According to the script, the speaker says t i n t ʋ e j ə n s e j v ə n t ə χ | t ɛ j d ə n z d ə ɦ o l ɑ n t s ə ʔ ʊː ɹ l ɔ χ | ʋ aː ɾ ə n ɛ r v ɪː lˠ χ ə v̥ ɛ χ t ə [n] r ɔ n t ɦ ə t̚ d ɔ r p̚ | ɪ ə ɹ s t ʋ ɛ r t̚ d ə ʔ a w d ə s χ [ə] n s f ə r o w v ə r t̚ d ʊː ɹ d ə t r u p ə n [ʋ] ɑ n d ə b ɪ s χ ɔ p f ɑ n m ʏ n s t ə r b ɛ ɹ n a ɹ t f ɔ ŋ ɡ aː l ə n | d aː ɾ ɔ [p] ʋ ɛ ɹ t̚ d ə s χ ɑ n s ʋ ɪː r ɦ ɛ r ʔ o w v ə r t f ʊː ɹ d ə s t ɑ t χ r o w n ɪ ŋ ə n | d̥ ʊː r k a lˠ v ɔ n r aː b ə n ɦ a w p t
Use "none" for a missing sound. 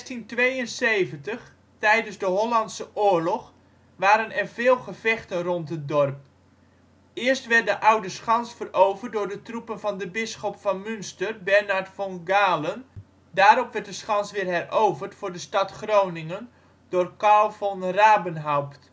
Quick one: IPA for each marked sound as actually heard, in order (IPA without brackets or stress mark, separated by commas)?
n, ɑ, v, p